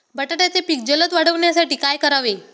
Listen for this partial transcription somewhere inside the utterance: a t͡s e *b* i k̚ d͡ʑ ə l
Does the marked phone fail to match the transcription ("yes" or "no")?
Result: yes